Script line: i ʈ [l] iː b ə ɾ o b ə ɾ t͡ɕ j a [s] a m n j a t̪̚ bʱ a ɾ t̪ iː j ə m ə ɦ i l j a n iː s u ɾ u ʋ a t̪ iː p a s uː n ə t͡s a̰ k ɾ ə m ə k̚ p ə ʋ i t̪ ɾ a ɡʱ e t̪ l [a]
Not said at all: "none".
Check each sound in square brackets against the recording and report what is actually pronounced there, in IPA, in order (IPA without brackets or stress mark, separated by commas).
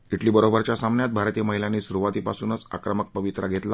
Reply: l, s, a